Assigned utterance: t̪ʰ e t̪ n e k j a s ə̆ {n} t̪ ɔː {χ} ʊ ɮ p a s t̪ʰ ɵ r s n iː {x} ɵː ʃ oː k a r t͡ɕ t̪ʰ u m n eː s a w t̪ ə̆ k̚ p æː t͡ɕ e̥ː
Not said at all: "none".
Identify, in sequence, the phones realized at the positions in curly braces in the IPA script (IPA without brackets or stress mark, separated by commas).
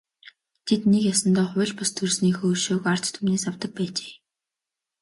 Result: n, χ, x